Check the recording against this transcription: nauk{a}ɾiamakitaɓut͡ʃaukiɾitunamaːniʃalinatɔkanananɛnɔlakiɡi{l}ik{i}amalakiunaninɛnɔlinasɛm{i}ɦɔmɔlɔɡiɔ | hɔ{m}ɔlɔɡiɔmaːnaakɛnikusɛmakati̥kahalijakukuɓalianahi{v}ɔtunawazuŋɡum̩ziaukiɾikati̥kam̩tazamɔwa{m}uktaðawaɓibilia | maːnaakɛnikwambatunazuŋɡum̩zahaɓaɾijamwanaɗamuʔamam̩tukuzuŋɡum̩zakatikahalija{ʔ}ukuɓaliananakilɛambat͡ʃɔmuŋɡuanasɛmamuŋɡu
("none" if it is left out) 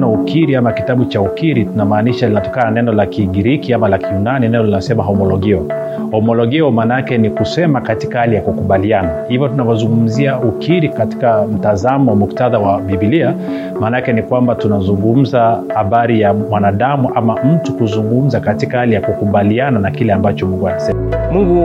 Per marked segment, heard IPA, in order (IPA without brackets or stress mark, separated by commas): i, ɾ, i, a, m, v, m, k